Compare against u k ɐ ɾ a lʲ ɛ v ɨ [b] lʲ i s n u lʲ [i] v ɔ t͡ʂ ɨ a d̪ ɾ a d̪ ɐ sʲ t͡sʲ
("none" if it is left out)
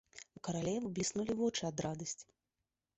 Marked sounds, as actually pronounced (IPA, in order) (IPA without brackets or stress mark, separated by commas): b, i